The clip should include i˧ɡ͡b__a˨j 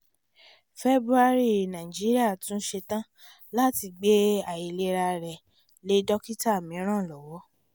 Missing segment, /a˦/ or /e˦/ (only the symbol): e˦